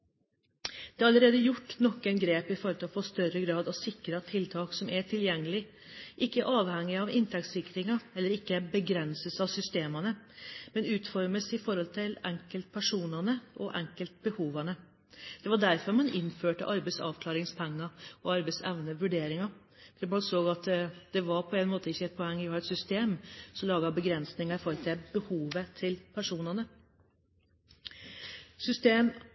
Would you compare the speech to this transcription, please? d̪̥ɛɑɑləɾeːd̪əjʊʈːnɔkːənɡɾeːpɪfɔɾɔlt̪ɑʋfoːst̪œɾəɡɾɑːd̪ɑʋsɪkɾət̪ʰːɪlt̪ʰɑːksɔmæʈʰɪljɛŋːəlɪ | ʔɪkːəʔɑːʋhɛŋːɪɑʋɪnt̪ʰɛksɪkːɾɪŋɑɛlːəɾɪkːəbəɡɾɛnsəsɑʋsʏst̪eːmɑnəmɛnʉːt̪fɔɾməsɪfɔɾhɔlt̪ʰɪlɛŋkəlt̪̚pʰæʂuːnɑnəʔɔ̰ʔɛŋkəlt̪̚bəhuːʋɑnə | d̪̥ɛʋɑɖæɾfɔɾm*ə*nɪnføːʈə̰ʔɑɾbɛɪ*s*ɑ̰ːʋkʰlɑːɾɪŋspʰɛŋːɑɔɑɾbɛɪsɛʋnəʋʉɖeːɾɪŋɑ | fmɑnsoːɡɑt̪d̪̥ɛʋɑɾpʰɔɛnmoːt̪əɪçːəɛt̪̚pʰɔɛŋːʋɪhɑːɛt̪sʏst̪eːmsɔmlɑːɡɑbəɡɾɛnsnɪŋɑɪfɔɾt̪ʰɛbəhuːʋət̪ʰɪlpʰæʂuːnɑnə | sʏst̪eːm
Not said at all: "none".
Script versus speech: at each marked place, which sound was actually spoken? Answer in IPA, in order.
ɑ, s

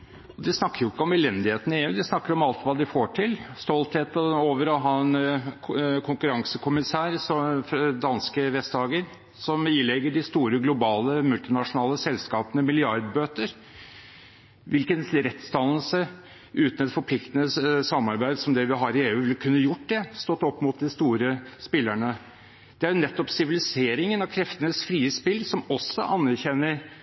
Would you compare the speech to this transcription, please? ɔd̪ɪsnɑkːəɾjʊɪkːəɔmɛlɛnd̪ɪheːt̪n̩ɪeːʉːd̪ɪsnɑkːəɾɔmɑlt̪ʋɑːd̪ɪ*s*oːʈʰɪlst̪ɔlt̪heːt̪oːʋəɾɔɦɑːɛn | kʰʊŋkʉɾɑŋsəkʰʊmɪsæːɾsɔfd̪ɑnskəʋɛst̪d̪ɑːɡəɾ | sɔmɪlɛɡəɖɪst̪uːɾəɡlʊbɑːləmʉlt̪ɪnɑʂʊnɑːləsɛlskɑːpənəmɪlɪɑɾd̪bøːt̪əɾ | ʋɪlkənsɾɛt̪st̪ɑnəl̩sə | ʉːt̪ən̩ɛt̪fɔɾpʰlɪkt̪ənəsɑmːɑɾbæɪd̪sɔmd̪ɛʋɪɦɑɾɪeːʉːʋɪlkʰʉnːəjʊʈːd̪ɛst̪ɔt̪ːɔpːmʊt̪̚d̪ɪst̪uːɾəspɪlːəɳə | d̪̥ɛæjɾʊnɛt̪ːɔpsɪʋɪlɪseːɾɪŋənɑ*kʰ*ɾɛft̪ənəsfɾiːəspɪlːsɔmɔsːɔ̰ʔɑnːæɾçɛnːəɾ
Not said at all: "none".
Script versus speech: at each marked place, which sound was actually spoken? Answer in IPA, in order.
f, kʰ

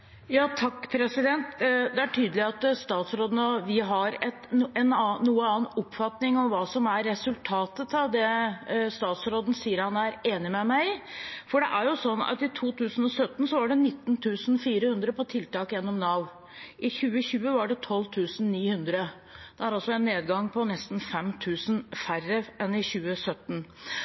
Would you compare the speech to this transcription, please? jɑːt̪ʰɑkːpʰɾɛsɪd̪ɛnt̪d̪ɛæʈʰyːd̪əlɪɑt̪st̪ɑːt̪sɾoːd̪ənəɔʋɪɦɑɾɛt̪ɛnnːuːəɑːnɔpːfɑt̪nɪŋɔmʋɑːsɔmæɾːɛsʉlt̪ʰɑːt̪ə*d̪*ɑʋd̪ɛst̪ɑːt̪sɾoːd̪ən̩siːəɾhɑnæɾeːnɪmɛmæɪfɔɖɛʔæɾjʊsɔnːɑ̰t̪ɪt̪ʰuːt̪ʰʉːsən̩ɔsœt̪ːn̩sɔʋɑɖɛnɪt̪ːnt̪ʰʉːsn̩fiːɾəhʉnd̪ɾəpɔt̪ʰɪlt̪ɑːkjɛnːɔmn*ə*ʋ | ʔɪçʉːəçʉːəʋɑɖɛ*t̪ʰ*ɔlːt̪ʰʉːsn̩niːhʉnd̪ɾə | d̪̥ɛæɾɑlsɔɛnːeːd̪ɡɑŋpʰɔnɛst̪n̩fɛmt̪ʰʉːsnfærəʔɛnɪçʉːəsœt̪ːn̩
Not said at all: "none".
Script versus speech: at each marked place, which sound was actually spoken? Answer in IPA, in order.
t̪, ɑ, t̪ʰ

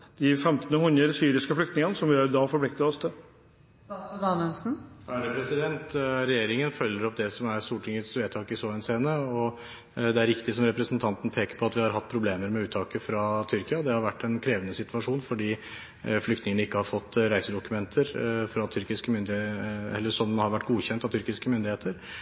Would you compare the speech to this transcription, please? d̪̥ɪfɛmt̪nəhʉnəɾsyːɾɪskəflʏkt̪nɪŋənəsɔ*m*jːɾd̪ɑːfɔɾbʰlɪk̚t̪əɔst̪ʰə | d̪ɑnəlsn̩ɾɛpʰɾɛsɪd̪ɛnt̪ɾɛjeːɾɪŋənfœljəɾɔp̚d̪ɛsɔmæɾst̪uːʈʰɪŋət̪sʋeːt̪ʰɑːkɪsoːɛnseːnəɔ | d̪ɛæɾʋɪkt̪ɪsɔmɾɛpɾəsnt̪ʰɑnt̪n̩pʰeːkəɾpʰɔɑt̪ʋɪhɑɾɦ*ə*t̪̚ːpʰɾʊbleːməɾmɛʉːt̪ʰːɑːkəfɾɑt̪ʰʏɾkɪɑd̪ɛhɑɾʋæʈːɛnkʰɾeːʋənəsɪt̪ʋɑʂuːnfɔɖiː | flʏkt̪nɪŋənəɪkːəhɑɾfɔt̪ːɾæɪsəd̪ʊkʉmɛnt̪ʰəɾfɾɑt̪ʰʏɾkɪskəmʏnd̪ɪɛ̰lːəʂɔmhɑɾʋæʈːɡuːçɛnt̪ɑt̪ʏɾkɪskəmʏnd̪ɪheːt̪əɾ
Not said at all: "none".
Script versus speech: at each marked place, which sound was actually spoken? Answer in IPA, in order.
m, ɑ

